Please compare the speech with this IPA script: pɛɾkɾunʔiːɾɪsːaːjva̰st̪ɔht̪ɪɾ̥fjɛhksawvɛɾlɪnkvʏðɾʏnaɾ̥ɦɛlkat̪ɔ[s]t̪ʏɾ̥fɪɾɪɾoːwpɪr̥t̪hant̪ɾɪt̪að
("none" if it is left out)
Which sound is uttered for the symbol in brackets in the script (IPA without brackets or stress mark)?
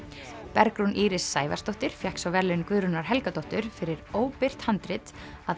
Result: h